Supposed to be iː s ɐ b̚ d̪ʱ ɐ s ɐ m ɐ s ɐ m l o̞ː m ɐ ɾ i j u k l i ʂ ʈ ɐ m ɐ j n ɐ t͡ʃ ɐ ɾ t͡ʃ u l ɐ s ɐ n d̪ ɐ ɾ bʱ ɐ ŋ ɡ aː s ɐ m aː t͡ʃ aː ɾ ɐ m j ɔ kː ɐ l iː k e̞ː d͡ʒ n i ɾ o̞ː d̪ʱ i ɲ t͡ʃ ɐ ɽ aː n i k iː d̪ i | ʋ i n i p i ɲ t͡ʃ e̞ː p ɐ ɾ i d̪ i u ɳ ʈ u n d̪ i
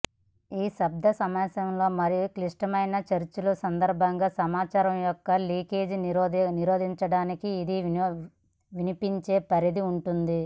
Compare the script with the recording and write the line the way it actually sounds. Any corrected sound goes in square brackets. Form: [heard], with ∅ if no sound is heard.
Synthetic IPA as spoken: iː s ɐ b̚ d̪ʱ ɐ s ɐ m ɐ s ɐ m l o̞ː m ɐ ɾ i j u k l i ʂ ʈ ɐ m ɐ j n ɐ t͡ʃ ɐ ɾ t͡ʃ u l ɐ s ɐ n d̪ ɐ ɾ bʱ ɐ ŋ ɡ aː s ɐ m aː t͡ʃ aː ɾ ɐ m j ɔ kː ɐ l iː k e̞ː d͡ʒ n i ɾ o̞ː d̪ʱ i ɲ t͡ʃ ɐ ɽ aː n i k iː d̪ i | ʋ i n i p i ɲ t͡ʃ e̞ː p ɐ ɾ i d̪ i u ɳ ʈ u n d̪ i